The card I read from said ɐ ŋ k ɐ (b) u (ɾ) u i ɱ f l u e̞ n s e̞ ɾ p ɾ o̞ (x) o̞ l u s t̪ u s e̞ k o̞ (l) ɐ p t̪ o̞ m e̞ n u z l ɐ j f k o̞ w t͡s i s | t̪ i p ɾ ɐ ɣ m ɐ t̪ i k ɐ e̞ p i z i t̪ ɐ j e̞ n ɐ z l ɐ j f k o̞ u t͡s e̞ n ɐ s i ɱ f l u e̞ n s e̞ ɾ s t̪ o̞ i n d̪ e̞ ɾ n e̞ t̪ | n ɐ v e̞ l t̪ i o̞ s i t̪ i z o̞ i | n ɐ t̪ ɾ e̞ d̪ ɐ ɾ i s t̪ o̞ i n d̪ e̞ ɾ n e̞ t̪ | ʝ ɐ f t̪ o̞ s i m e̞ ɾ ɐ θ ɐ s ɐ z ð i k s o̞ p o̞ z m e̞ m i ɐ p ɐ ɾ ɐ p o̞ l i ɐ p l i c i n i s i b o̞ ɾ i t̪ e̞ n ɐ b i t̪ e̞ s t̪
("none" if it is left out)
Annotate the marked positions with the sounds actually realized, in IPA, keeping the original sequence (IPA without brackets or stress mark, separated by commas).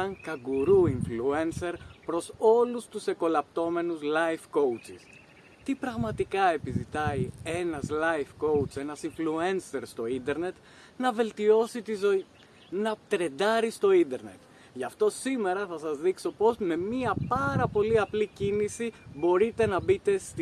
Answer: ɡ, ɾ, s, l